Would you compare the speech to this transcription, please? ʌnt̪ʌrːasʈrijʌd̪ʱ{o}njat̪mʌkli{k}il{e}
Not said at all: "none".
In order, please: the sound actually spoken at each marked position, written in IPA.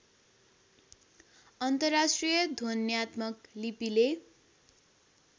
o, p, e

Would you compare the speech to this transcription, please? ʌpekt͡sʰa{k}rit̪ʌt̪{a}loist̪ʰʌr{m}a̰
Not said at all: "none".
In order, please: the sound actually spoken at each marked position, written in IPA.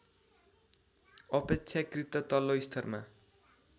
k, ʌ, m

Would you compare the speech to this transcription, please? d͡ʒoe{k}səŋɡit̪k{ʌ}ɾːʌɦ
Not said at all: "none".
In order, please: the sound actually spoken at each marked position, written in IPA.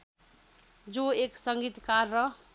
k, a

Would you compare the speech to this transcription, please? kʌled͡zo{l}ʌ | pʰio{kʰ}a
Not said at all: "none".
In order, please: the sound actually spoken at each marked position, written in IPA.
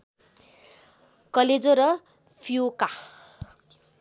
ɾ, k

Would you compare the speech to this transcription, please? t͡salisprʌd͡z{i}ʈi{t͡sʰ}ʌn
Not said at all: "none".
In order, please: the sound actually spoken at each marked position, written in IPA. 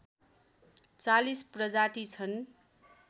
a, t͡sʰ

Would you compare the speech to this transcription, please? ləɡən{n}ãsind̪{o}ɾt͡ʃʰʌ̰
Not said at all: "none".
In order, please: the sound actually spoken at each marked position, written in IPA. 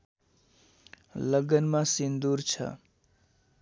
m, u

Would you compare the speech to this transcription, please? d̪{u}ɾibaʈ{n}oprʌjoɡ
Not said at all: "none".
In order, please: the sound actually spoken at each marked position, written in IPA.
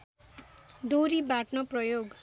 o, n

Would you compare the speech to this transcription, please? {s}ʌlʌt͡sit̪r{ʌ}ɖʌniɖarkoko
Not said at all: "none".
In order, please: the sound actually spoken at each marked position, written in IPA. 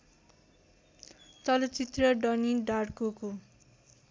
t͡s, ʌ

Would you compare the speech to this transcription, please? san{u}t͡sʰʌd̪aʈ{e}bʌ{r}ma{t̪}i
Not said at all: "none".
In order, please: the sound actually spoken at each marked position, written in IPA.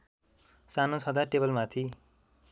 o, e, l, t̪ʰ

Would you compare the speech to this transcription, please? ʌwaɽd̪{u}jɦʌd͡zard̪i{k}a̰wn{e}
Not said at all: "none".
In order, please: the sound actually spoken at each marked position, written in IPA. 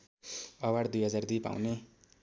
u, p, e

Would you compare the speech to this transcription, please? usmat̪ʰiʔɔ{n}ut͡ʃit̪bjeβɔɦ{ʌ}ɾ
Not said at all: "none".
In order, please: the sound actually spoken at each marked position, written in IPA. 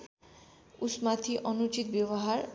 n, a

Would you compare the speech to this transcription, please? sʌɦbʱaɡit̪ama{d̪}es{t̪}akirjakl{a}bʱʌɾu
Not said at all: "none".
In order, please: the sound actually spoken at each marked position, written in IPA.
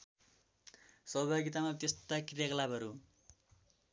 t̪, t̪, a

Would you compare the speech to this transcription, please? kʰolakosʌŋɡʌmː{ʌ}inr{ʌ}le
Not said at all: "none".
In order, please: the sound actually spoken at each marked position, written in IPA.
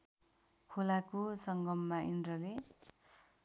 a, ʌ

